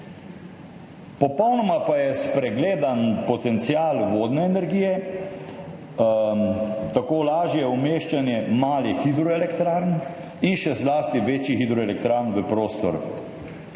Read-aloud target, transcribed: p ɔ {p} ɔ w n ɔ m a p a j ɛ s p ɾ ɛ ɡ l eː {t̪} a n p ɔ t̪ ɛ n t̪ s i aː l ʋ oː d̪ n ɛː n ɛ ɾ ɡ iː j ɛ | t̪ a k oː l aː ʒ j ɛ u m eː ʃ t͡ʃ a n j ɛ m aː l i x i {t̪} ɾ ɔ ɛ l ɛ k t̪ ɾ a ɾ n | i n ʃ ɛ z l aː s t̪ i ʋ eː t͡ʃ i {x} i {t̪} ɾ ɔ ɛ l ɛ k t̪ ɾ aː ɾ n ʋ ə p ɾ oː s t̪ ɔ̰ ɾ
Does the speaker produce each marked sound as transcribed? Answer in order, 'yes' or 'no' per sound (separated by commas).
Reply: yes, no, no, yes, no